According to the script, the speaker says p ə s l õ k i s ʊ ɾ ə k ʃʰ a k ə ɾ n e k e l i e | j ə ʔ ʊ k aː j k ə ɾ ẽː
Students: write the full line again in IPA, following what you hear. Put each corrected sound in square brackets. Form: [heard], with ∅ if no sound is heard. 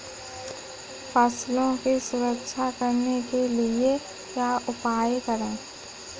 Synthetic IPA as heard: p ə s l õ k i s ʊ ɾ ə k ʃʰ a k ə ɾ n e k e l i e | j [a] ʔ ʊ [p] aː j k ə ɾ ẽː